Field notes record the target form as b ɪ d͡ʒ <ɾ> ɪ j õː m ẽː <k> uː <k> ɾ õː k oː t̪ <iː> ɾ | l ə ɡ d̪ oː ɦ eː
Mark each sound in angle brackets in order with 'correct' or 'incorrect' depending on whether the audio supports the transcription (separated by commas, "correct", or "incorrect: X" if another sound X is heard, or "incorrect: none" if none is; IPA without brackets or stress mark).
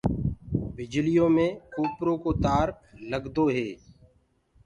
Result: incorrect: l, correct, incorrect: p, incorrect: aː